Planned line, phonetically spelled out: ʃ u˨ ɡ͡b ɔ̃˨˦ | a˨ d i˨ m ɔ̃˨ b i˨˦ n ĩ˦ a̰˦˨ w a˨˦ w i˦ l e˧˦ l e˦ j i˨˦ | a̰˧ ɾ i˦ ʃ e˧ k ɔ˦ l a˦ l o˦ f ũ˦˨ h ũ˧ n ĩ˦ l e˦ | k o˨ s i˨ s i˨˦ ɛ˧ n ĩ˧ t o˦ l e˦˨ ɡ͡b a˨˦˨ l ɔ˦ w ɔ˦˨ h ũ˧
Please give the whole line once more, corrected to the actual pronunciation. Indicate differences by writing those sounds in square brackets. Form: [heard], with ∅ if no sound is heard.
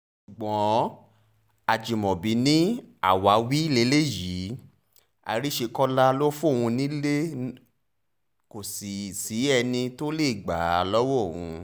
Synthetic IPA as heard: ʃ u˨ ɡ͡b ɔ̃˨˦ | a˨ [d͡ʒ] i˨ m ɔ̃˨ b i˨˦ n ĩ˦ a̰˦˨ w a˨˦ w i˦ l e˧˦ l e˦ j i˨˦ | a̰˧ ɾ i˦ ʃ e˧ k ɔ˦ l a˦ l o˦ f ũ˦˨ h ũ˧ n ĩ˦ l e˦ | k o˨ s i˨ s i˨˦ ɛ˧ n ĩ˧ t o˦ l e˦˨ ɡ͡b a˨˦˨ l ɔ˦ w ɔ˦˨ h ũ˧